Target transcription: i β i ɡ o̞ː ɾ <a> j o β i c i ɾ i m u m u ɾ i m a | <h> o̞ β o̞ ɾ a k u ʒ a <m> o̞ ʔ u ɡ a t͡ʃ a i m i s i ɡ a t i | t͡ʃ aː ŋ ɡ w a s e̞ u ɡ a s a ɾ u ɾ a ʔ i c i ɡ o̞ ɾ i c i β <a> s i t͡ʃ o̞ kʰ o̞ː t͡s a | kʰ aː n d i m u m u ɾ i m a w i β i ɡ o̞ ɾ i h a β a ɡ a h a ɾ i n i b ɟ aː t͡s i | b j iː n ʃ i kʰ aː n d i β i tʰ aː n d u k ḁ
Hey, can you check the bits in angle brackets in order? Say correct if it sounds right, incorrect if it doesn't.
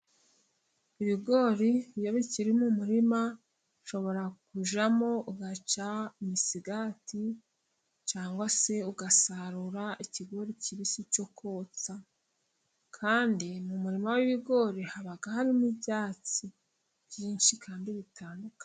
incorrect, incorrect, correct, incorrect

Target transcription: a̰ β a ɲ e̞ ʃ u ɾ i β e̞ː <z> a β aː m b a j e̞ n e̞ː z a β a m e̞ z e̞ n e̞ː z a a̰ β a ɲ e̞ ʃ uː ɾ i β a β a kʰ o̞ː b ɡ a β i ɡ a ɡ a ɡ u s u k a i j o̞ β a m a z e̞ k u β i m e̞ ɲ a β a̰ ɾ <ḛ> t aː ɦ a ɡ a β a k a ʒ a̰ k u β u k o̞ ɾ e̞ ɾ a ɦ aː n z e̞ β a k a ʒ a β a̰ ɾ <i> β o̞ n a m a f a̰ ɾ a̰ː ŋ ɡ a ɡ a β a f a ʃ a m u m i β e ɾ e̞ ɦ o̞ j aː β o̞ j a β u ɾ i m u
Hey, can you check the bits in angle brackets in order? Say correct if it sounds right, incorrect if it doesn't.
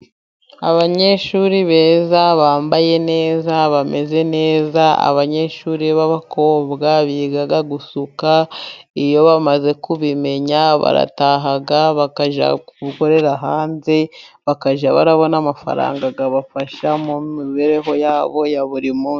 correct, incorrect, incorrect

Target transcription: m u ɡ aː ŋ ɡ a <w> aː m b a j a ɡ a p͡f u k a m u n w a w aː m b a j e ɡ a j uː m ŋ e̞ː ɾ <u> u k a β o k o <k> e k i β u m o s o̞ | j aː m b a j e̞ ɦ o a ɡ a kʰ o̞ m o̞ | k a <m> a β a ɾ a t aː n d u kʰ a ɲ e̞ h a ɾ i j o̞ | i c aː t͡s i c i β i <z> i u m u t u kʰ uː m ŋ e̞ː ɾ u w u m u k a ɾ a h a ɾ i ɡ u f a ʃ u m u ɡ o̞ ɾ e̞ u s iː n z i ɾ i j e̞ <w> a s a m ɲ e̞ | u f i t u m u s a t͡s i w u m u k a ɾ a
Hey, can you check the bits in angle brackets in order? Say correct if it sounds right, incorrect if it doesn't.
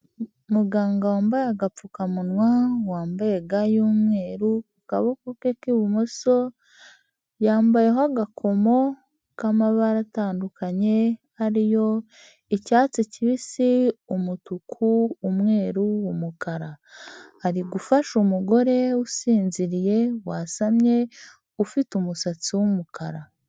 correct, correct, correct, correct, incorrect, correct

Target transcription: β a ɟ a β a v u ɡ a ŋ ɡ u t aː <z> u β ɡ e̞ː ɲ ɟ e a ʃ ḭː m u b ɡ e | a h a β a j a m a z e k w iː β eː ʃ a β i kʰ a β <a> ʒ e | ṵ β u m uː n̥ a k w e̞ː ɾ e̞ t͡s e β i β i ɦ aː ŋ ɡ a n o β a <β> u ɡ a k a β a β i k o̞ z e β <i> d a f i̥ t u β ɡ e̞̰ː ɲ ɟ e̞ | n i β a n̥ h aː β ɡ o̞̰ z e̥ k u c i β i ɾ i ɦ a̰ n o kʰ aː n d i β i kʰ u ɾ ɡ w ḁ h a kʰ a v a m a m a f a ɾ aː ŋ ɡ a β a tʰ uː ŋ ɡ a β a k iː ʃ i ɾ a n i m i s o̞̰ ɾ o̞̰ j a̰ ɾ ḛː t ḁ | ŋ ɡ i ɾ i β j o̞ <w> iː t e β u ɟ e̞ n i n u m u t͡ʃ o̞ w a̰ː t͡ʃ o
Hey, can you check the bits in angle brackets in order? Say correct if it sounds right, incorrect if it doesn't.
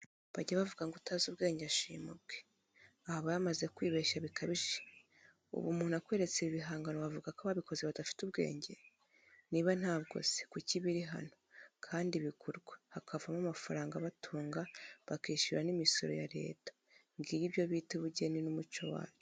correct, incorrect, incorrect, incorrect, incorrect

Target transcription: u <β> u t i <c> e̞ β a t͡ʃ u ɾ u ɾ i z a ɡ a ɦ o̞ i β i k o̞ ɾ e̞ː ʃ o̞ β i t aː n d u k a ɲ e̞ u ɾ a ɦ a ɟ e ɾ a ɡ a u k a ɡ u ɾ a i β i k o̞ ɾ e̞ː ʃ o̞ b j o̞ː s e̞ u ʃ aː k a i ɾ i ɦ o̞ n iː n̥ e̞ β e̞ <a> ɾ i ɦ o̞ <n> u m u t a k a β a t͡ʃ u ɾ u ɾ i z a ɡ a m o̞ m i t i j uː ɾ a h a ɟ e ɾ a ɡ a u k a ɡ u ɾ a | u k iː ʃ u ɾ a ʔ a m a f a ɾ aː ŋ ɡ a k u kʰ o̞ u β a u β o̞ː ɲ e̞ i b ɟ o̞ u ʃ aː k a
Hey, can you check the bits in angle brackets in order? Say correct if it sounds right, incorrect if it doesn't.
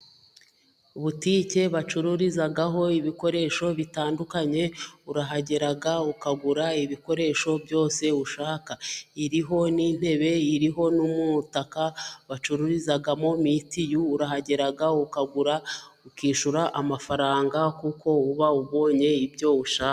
correct, correct, incorrect, correct

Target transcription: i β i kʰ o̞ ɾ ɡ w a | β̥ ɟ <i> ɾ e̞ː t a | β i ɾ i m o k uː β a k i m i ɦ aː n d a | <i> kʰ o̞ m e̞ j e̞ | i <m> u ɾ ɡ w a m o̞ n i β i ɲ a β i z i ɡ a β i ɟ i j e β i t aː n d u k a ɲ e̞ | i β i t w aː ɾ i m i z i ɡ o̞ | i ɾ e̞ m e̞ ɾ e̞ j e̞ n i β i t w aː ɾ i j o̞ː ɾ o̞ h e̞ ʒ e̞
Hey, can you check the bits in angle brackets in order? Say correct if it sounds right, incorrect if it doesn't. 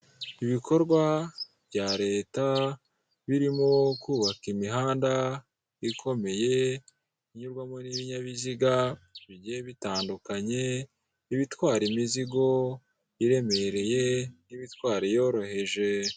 incorrect, correct, incorrect

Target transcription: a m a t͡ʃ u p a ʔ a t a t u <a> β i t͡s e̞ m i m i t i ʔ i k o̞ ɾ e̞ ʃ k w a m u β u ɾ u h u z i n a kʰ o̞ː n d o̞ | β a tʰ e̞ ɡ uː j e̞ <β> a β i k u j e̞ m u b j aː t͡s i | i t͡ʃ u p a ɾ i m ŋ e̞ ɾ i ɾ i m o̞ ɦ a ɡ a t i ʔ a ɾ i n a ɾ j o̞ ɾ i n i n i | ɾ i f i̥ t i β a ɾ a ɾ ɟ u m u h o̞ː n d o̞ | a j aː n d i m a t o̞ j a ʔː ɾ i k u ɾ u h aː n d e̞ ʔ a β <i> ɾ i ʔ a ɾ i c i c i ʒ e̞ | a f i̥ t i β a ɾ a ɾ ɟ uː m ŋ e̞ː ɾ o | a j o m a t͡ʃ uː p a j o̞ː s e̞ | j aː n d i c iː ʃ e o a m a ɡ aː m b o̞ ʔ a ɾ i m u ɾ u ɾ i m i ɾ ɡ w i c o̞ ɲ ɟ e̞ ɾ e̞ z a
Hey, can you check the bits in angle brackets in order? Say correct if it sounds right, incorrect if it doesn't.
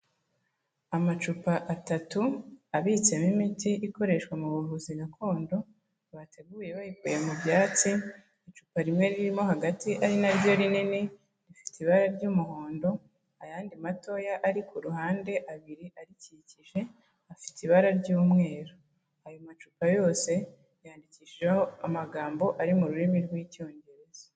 correct, correct, correct

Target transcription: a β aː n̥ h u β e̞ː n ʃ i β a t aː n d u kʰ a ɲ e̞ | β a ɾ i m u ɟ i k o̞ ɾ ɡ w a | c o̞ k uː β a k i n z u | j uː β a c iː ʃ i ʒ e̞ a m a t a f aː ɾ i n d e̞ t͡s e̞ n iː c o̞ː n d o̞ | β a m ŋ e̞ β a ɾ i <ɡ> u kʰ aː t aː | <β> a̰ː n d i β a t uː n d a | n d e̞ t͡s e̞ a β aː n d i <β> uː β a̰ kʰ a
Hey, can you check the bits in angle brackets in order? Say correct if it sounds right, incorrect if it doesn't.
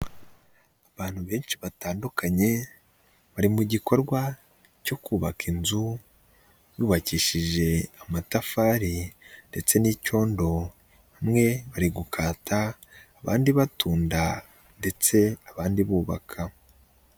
correct, correct, correct

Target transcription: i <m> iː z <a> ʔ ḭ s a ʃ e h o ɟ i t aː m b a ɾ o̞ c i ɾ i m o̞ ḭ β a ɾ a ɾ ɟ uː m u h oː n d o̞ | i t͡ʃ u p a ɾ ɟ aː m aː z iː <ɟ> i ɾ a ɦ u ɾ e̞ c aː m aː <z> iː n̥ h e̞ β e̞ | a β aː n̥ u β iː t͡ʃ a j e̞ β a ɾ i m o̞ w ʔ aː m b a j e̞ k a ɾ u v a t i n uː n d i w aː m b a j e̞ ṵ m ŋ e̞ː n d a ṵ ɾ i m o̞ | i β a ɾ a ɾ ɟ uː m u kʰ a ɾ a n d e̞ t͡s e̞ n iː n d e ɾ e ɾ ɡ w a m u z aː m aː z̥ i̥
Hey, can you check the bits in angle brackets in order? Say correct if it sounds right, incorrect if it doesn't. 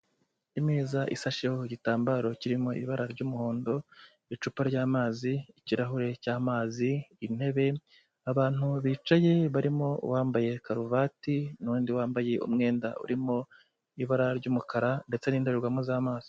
correct, correct, incorrect, correct

